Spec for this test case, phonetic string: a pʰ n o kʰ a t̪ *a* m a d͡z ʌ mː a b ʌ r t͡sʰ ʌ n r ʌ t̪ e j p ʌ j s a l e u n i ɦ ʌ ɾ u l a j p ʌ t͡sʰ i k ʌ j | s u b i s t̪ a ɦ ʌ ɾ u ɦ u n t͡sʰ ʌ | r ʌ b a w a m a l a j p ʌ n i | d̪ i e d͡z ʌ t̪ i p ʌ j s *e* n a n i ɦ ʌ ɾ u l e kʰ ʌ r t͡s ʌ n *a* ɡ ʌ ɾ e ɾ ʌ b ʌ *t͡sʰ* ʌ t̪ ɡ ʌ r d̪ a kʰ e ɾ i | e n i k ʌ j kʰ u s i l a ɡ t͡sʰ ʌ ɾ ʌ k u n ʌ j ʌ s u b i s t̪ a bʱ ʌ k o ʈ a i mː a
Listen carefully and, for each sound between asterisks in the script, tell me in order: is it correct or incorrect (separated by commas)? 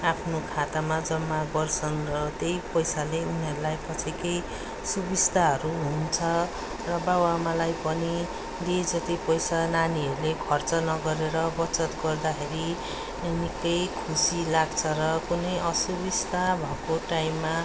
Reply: correct, incorrect, incorrect, incorrect